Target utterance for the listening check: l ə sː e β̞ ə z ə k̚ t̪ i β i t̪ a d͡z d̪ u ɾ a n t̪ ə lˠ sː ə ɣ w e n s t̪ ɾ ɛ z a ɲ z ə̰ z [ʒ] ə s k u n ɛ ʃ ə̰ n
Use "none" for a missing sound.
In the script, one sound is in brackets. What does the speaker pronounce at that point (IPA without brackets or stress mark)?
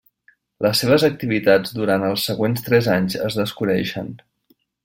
ð